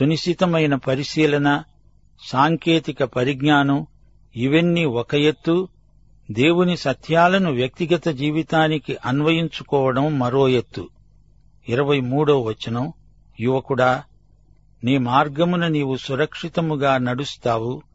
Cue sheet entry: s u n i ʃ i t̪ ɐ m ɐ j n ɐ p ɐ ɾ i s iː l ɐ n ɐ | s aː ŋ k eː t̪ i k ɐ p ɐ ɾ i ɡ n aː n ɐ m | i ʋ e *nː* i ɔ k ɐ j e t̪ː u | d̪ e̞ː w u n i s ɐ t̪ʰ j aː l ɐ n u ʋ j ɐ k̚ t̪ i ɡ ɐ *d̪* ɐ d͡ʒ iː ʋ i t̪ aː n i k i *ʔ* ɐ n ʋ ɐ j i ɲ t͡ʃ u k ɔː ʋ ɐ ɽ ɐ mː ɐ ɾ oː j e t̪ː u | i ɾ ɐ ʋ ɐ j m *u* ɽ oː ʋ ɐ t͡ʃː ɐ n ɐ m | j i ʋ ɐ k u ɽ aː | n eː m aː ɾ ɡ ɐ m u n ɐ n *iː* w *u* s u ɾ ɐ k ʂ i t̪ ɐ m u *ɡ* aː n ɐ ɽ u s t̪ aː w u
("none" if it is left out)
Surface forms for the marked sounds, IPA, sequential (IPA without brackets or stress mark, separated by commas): nː, t̪, ʔ, uː, iː, u, ɡ